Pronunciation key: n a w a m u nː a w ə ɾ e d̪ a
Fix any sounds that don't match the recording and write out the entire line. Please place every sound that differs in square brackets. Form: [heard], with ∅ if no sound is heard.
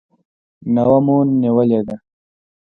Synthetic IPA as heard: n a w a m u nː [i] w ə [l] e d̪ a